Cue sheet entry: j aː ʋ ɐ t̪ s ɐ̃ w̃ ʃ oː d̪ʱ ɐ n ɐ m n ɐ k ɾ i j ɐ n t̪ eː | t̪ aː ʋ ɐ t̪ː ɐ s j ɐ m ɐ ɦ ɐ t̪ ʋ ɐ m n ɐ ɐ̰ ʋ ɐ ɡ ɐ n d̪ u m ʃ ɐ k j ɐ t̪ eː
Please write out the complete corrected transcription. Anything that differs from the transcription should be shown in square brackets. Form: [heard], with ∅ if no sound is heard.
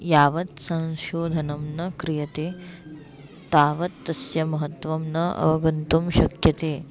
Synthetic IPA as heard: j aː ʋ ɐ t̪ s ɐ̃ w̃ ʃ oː d̪ʱ ɐ n ɐ m n ɐ k ɾ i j ɐ [∅] t̪ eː | t̪ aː ʋ ɐ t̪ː ɐ s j ɐ m ɐ ɦ ɐ t̪ ʋ ɐ m n ɐ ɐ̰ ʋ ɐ ɡ ɐ n [t̪] u m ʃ ɐ k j ɐ t̪ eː